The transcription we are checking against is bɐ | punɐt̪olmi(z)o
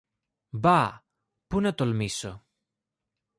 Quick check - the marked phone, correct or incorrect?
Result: incorrect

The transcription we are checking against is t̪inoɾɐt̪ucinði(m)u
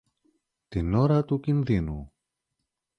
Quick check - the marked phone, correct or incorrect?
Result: incorrect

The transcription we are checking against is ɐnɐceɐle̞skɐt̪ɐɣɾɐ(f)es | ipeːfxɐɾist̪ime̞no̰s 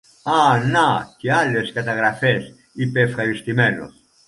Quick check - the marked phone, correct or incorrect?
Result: correct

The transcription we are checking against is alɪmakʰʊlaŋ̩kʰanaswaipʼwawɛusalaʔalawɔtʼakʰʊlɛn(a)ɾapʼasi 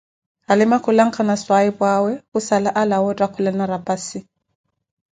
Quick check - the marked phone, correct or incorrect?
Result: correct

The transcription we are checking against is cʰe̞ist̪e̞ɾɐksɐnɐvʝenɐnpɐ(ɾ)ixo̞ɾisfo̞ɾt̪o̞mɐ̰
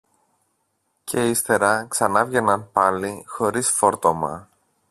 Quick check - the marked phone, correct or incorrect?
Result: incorrect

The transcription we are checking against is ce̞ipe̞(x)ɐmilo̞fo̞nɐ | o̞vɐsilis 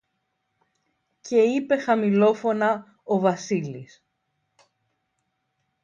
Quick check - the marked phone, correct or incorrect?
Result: correct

